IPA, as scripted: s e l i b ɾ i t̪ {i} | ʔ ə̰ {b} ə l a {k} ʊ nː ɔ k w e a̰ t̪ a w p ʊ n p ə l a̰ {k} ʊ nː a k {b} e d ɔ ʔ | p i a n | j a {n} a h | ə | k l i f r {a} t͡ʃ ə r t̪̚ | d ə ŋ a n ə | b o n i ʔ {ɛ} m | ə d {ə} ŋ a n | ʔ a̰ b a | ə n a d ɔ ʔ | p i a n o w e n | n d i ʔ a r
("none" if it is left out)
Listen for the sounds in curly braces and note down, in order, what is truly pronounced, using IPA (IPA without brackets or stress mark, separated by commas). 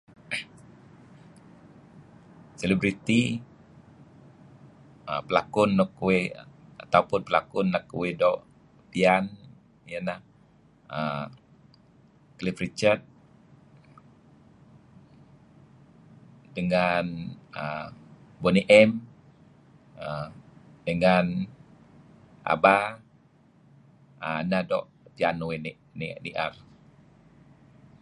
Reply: i, p, k, k, w, n, i, ɛ, ə